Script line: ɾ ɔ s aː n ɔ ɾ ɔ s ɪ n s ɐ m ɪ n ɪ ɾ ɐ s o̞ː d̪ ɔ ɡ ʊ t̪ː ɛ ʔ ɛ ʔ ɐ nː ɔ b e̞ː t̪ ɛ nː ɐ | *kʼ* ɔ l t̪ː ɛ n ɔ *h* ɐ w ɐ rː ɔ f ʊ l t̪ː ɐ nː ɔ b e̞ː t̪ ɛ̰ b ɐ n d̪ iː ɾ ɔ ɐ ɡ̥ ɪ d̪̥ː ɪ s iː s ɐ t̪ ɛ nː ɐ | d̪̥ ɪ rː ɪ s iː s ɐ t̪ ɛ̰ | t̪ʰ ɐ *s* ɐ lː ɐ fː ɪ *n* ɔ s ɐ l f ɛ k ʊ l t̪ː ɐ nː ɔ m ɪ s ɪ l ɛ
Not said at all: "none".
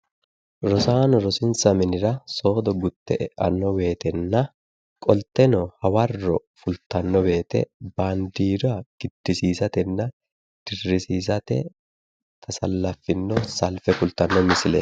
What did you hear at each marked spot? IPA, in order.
kʼ, h, s, nː

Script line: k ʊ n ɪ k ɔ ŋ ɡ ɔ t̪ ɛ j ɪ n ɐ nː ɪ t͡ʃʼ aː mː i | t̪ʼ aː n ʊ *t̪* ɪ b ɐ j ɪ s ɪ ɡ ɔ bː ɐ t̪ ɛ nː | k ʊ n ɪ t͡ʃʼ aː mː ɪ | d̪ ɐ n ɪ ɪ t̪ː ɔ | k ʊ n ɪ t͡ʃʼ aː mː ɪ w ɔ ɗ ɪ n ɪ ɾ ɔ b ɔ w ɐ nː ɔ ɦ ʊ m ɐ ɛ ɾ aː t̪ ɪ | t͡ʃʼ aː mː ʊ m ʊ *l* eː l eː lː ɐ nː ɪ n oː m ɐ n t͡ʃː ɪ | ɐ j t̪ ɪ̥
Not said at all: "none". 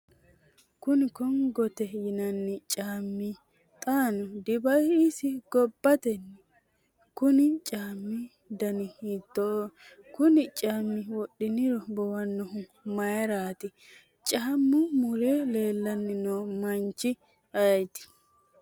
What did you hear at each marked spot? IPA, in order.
d̪, ɾ

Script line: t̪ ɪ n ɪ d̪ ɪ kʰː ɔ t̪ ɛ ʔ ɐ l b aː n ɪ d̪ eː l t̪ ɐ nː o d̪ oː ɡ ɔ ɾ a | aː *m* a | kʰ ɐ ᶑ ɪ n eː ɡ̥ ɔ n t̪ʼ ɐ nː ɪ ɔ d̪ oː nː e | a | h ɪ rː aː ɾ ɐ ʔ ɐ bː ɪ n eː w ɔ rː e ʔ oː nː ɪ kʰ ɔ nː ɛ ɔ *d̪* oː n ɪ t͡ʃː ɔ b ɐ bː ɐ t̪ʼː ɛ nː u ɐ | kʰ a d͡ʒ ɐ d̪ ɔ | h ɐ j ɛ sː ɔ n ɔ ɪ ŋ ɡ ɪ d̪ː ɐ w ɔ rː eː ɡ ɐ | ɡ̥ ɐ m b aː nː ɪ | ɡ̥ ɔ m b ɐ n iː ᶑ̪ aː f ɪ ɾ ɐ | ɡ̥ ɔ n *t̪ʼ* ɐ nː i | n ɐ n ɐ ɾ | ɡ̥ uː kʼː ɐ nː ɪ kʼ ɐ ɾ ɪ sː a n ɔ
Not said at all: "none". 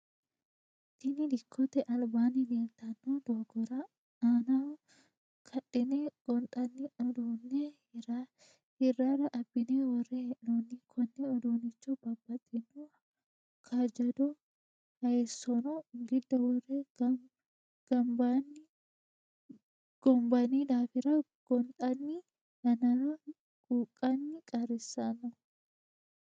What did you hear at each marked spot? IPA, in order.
n, d̪, t̪ʼ

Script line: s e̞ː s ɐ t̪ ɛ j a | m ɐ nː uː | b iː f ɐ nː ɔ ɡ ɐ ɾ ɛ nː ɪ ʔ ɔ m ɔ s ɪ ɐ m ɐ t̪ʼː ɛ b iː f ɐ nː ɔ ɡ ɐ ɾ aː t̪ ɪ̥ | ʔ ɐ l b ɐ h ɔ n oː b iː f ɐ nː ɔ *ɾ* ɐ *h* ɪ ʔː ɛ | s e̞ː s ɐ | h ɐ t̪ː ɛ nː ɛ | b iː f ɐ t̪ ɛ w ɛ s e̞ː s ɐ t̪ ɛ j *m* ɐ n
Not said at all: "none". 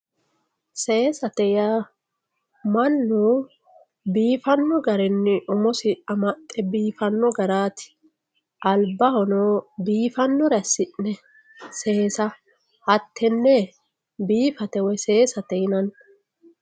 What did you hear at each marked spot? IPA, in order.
ɾ, s, n

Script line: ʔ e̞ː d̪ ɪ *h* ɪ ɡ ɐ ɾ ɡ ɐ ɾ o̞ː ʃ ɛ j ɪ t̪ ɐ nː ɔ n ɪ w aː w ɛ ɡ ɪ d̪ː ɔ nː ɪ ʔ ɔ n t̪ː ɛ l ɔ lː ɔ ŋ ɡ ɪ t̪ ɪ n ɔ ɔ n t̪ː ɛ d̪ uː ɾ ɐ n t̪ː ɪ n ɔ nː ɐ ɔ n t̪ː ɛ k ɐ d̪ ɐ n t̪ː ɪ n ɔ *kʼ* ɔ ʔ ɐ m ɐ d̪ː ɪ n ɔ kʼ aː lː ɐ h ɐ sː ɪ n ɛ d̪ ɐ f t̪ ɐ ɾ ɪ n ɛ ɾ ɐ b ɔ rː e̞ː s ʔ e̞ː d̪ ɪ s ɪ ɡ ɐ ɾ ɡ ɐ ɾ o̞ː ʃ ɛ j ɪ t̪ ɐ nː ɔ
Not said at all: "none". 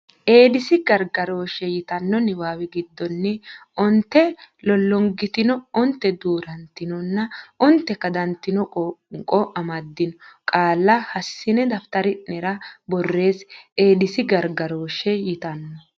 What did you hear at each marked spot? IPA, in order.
s, kʼ

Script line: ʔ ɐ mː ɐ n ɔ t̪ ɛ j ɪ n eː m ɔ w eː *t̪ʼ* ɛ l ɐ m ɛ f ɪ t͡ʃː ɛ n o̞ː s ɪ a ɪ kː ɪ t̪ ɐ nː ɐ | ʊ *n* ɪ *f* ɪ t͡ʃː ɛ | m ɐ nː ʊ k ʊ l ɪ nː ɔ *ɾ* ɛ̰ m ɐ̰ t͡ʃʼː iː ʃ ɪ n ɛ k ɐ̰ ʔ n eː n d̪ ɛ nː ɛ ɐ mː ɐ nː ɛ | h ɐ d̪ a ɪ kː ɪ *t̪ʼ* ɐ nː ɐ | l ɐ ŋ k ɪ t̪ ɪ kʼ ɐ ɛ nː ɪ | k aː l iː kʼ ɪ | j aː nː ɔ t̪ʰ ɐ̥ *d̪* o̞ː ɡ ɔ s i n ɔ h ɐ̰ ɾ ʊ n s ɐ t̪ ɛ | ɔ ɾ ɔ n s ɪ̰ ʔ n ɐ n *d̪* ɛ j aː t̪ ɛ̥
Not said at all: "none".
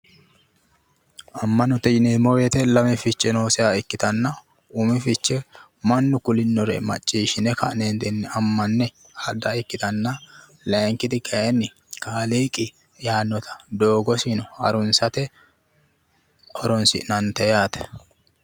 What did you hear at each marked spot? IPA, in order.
t̪, m, f, ɾ, t̪, d̪, t̪

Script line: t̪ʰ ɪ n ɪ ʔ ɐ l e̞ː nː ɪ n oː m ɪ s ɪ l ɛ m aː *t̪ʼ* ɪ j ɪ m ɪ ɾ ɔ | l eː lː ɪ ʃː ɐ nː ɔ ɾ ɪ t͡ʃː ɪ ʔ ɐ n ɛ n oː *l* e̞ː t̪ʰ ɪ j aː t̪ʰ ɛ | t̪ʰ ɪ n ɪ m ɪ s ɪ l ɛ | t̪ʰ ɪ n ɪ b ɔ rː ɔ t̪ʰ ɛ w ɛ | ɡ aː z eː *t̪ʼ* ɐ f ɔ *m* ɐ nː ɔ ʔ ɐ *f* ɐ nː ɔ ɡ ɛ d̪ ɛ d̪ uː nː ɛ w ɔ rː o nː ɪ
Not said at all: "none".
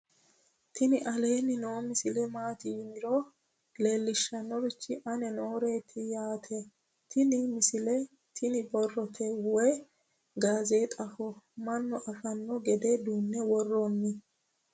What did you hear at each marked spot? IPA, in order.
t̪, ɾ, t̪ʼ, m, f

